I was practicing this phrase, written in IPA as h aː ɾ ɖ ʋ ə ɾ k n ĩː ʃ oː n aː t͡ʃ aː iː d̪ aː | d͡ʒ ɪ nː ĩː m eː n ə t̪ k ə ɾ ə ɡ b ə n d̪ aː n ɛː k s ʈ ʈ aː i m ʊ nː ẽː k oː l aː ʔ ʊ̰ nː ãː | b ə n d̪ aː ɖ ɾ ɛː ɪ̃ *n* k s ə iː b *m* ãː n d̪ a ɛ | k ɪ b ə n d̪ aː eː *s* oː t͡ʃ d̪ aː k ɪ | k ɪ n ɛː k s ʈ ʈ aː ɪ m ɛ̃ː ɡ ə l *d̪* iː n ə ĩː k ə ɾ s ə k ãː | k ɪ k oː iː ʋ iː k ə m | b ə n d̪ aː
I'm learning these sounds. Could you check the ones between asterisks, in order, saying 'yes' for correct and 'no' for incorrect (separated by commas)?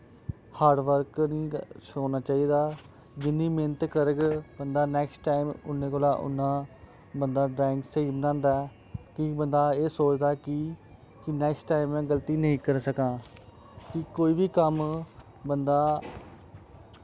no, no, yes, no